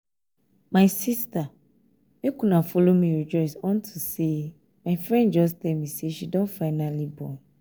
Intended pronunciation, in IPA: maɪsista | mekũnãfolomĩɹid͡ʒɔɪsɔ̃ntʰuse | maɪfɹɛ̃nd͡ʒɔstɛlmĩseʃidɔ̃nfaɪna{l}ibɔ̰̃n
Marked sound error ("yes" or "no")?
no